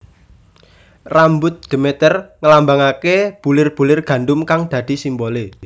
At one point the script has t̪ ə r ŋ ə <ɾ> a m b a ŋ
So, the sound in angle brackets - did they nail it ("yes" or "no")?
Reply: no